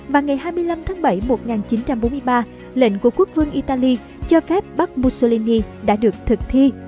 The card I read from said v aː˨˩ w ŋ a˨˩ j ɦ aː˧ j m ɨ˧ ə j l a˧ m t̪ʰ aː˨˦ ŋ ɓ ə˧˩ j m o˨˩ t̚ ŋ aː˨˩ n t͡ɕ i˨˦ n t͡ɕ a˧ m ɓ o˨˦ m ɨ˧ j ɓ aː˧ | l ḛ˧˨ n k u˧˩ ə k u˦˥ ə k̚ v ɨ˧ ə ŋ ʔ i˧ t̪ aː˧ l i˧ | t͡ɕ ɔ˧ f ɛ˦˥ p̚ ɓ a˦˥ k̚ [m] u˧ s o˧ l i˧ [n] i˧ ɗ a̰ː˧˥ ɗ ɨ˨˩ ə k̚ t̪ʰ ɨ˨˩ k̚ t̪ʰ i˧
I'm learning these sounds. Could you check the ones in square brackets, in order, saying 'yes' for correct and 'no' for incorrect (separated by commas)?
yes, yes